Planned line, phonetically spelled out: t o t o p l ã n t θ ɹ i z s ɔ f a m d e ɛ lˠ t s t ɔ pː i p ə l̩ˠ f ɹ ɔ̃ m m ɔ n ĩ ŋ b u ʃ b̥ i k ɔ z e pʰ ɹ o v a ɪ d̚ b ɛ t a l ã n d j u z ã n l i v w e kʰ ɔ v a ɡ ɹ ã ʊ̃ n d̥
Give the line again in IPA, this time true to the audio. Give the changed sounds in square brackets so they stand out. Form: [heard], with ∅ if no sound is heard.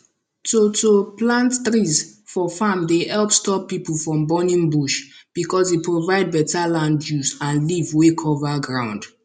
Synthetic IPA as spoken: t o t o p l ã n t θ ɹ i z [f] ɔ f a m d e ɛ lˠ [p] s t ɔ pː i p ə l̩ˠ f ɹ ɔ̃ m [b] ɔ n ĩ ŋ b u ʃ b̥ i k ɔ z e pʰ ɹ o v a ɪ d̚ b ɛ t a l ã n d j u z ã n l i v w e kʰ ɔ v a ɡ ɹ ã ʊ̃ n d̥